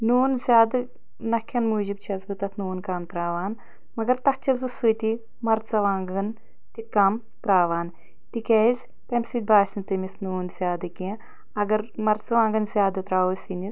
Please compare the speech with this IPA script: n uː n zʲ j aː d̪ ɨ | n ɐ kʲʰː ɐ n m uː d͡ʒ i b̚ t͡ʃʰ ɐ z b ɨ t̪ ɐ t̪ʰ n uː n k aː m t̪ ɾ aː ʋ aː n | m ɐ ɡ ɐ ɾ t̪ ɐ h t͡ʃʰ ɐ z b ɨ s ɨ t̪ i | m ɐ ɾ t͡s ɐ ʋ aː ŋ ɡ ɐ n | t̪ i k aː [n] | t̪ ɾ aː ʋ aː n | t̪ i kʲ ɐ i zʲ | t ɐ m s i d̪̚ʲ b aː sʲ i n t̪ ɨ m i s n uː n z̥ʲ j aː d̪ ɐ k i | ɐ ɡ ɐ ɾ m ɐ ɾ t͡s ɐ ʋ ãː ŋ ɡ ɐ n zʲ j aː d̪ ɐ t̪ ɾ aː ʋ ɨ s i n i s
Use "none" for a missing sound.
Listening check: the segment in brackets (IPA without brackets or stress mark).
m